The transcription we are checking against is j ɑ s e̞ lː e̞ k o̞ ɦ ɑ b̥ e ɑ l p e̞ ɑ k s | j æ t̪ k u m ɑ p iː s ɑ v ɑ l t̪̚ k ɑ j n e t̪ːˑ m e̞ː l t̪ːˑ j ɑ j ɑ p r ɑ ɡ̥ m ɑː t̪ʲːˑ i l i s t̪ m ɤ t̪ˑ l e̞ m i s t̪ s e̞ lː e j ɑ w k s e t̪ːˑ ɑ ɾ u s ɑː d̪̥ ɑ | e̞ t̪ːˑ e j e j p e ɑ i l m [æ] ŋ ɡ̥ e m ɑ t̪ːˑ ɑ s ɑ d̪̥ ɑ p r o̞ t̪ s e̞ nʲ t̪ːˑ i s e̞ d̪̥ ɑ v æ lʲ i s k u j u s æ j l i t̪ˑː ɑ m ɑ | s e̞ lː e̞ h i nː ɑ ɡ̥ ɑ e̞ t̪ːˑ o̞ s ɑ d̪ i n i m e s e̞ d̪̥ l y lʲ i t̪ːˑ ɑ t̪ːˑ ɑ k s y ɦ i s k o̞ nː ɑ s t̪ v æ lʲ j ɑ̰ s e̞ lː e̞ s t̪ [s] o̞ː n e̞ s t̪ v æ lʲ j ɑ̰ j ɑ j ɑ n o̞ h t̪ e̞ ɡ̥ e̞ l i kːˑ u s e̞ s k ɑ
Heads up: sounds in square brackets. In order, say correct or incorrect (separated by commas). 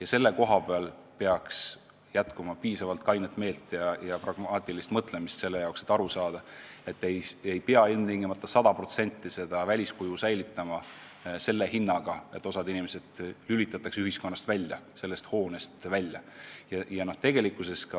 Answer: incorrect, incorrect